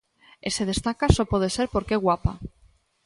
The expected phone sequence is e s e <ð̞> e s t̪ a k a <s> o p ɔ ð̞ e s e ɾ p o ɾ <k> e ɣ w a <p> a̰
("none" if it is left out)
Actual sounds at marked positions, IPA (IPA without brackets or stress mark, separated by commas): ð̞, s, k, p